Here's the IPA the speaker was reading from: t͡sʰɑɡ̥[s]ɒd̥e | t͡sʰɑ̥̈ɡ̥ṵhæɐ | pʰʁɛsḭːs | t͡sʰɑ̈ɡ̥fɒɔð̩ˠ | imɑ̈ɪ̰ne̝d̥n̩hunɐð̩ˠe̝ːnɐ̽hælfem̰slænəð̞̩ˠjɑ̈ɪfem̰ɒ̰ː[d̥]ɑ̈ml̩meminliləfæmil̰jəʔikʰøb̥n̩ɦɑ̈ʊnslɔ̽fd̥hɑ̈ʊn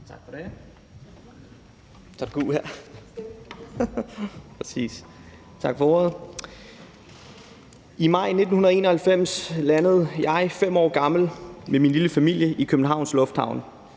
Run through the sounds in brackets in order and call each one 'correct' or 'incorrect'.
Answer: incorrect, incorrect

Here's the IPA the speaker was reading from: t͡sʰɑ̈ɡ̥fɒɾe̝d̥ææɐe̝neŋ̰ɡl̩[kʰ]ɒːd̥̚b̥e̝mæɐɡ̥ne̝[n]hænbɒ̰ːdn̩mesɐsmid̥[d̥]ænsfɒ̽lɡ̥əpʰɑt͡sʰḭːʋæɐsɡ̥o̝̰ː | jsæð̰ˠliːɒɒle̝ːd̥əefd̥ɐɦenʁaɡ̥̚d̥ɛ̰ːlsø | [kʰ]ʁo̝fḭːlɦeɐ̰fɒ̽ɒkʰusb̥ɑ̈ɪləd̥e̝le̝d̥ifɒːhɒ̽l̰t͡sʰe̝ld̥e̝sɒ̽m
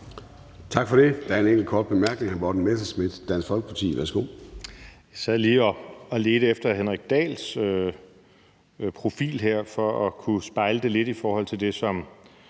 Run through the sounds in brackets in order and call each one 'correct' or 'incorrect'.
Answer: correct, incorrect, correct, incorrect

